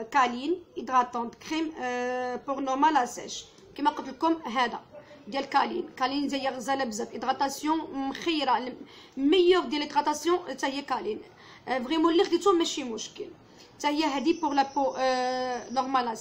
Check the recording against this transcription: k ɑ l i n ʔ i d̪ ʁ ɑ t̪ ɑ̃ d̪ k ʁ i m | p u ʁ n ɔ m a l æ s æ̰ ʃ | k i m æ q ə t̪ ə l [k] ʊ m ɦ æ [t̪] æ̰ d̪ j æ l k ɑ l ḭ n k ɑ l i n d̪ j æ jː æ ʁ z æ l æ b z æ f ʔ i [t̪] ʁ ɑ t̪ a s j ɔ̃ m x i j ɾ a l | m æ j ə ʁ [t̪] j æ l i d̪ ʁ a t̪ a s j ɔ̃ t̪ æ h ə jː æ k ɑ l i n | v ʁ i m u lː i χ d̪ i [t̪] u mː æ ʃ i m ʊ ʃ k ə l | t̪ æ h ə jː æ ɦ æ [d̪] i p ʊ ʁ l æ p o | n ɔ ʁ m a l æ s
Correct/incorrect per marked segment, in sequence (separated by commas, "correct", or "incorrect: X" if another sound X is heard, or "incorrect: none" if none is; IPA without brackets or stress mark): correct, incorrect: d̪, incorrect: d̪, incorrect: d̪, correct, correct